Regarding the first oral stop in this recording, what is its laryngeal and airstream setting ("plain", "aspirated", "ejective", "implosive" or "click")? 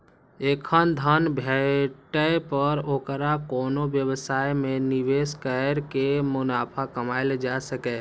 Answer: aspirated